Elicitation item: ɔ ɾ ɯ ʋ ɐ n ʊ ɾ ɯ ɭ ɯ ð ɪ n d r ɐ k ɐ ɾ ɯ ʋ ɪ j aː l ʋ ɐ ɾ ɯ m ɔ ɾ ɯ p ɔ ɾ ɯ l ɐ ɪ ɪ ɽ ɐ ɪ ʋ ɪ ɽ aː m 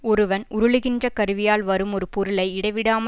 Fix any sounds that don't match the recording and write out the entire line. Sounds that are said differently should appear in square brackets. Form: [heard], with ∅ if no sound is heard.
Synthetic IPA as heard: ɔ ɾ ɯ ʋ ɐ n ʊ ɾ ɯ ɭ ɯ [ɣ] ɪ n d r ɐ k ɐ ɾ ɯ ʋ ɪ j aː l ʋ ɐ ɾ ɯ m ɔ ɾ ɯ p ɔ ɾ ɯ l ɐ ɪ ɪ ɽ ɐ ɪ ʋ ɪ ɽ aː m